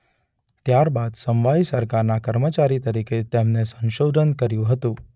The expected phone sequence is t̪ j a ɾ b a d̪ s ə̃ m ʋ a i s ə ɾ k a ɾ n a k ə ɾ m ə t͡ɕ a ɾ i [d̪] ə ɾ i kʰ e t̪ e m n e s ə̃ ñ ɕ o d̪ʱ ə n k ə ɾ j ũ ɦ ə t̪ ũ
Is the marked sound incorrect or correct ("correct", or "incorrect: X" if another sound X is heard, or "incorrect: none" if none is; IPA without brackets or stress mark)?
incorrect: t̪